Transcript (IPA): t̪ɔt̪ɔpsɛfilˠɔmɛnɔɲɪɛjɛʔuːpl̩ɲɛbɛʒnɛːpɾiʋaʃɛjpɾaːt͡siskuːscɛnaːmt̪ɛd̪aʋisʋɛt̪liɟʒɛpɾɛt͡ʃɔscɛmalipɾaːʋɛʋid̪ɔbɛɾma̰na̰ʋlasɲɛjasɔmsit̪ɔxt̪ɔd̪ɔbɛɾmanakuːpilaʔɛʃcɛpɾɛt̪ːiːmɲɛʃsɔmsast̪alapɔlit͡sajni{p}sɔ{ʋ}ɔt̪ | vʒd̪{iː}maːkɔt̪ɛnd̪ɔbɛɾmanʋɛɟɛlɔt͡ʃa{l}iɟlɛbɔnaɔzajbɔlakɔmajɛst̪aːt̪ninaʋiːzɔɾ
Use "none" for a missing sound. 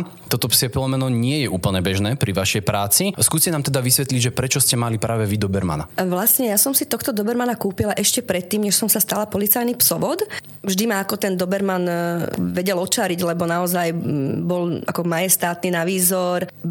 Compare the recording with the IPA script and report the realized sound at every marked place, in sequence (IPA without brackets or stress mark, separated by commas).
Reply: p, ʋ, i, ɾ